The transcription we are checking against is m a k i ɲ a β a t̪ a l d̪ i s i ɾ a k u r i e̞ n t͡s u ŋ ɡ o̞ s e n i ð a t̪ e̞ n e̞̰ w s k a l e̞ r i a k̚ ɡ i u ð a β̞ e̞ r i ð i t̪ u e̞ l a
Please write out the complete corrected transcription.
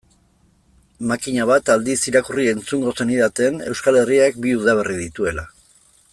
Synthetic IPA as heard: m a k i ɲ a β a t̪ a l d̪ i s i ɾ a k u r i e̞ n t͡s u ŋ ɡ o̞ s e n i ð a t̪ e̞ n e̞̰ w s k a l e̞ r i a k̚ b i u ð a β̞ e̞ r i ð i t̪ u e̞ l a